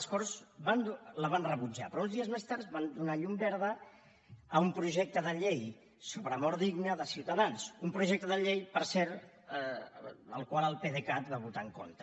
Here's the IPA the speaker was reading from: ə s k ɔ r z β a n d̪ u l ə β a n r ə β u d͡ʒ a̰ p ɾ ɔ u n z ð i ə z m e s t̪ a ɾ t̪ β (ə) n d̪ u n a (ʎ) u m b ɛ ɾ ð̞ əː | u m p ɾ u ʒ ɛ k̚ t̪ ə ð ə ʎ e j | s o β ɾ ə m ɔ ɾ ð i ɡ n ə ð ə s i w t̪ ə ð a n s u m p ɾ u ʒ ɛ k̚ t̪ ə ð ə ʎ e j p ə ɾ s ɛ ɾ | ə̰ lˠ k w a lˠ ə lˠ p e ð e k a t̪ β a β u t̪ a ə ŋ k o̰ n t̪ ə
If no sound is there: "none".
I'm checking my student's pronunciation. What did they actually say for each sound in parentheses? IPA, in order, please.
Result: a, ʎ

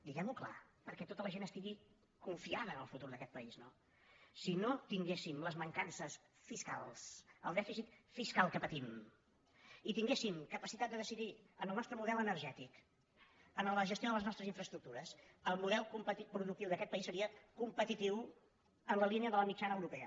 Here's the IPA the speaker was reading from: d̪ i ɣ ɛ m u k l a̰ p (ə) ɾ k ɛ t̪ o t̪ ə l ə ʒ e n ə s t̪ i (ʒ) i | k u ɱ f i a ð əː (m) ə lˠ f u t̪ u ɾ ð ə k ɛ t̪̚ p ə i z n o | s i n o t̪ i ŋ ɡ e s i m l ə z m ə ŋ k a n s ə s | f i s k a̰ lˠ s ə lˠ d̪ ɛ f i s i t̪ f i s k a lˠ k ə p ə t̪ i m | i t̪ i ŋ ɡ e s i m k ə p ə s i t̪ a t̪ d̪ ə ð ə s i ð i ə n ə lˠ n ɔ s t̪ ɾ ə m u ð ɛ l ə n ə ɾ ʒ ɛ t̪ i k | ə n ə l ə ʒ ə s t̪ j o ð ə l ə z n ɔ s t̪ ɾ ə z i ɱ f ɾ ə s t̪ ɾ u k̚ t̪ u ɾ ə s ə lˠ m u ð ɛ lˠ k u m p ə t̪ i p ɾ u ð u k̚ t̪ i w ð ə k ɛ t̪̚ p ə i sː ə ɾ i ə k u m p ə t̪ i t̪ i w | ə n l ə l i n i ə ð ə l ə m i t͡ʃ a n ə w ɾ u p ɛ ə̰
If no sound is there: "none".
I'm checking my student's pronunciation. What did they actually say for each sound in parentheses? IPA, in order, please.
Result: ə, ɣ, n

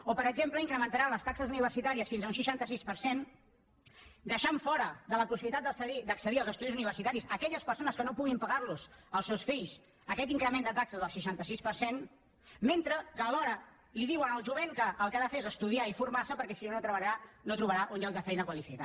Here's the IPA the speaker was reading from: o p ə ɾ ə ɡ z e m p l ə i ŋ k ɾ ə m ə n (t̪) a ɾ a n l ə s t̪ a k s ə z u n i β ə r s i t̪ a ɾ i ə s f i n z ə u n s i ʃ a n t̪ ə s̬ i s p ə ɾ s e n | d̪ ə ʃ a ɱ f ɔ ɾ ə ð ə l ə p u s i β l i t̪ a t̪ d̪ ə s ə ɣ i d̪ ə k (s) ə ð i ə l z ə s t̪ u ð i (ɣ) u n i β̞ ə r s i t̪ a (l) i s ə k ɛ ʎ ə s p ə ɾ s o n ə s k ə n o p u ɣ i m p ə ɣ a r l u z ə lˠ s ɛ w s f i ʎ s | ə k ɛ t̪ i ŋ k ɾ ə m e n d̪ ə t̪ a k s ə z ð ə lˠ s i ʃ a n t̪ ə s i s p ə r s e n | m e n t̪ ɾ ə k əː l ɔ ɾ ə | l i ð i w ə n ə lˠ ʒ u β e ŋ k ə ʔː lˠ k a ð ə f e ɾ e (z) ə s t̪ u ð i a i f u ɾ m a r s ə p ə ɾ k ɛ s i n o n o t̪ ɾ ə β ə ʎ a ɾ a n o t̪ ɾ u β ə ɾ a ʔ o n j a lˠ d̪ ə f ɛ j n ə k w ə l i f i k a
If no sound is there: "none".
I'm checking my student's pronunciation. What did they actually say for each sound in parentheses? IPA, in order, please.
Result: t̪, s, z, ɾ, z

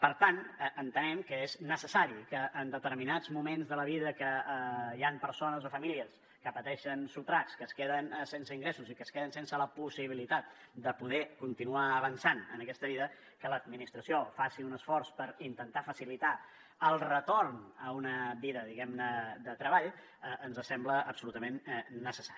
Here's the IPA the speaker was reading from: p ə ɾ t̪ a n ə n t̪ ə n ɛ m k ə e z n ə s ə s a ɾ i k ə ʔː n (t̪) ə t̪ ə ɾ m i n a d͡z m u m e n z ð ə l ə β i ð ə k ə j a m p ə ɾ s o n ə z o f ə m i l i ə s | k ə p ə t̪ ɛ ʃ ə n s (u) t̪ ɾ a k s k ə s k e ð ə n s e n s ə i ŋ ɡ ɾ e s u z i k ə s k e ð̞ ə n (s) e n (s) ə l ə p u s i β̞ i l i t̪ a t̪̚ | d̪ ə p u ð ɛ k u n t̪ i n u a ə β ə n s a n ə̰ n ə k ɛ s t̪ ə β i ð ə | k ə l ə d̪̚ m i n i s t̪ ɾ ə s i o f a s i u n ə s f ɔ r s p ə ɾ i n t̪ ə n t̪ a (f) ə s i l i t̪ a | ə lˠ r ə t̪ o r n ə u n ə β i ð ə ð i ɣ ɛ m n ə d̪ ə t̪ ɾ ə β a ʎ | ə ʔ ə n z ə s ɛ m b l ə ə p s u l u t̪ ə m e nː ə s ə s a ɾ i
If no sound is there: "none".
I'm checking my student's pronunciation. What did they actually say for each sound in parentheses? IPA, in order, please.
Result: d̪, u, s, s, f

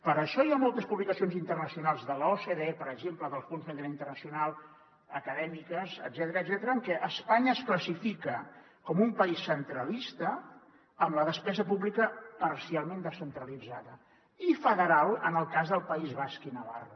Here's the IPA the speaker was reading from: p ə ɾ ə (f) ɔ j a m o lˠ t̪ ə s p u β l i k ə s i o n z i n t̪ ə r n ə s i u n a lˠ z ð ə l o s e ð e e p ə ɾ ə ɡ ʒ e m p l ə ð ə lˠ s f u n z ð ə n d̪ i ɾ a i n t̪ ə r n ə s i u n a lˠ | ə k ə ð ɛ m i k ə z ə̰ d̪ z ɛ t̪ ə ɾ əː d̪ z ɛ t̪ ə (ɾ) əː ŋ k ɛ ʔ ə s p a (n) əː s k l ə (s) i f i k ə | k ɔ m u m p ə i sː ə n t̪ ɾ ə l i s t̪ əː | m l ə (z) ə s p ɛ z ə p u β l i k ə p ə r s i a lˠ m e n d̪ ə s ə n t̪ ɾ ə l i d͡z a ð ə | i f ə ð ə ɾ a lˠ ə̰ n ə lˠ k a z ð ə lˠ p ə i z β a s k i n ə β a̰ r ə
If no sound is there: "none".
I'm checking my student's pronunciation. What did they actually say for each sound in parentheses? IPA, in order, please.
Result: ʃ, ɾ, ɲ, s, ð

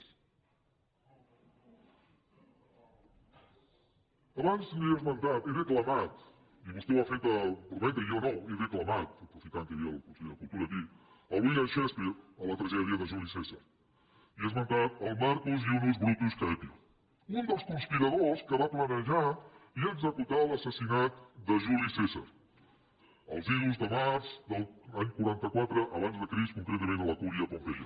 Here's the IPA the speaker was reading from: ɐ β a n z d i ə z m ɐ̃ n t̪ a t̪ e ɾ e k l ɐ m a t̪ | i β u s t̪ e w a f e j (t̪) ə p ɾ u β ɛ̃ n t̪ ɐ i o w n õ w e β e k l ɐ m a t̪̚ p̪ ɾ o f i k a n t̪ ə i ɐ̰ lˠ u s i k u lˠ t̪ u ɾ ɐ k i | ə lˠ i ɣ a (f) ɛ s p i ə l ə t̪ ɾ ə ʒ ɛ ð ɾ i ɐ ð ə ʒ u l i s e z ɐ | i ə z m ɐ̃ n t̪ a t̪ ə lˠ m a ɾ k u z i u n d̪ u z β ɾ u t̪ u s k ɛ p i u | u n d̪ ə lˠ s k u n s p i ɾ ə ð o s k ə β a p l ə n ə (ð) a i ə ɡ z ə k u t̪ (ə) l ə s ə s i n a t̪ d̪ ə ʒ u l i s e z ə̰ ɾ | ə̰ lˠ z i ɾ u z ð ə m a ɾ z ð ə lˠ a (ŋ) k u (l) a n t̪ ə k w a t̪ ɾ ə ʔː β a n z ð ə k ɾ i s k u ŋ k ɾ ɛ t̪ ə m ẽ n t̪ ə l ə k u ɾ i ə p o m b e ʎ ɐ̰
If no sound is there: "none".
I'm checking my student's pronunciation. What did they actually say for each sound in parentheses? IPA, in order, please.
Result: t̪, ʃ, ʒ, a, ɲ, ɾ

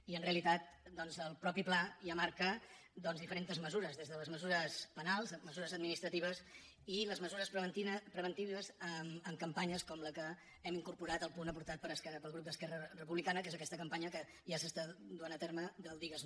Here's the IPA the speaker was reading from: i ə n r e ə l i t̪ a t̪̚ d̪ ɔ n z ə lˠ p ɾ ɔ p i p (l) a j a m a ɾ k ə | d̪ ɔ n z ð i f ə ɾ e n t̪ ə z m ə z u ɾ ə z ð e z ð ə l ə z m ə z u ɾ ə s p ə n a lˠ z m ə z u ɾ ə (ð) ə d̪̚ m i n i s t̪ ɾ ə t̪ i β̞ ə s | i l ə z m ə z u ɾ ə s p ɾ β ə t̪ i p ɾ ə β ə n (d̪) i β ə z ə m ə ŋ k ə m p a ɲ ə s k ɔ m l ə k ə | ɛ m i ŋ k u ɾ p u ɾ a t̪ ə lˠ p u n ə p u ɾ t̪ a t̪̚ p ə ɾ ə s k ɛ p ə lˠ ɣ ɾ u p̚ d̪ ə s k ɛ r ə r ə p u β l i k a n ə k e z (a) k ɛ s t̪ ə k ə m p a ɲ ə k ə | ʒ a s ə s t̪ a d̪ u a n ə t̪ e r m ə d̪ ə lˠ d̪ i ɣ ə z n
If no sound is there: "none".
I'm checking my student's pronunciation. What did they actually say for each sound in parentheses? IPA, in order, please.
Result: l, z, t̪, ə

